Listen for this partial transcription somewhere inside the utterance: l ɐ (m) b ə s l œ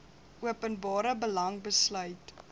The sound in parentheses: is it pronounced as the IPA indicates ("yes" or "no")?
no